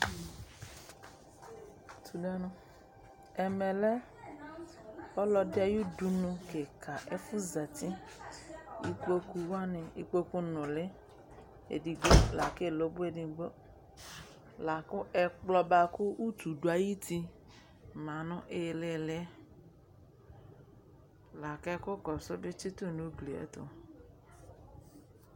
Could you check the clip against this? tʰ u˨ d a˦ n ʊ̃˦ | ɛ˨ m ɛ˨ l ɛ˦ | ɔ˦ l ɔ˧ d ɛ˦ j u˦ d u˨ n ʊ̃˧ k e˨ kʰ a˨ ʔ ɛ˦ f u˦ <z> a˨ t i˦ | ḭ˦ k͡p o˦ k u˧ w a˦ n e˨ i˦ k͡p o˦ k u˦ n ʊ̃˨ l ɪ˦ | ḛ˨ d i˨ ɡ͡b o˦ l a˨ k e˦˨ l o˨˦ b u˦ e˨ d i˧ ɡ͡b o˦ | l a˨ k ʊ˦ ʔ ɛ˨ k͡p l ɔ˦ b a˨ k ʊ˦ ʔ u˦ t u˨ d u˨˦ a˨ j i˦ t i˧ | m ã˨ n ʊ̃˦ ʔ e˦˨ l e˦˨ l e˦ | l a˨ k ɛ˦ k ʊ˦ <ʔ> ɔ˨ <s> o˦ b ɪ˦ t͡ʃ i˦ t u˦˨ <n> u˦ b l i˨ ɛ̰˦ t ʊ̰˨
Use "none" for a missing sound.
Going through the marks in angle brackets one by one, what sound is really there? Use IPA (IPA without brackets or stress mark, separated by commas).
z, k, s, n